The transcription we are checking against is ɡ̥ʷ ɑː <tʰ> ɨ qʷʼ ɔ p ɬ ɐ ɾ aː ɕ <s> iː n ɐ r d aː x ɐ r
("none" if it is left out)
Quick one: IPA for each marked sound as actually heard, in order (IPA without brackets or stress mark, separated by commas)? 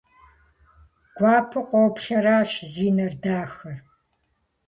pʰ, z